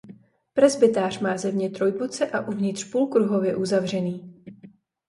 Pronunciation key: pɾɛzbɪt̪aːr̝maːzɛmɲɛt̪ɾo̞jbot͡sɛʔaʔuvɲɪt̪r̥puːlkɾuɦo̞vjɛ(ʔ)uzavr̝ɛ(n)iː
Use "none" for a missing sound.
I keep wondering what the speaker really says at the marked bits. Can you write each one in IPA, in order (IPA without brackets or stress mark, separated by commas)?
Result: ʔ, n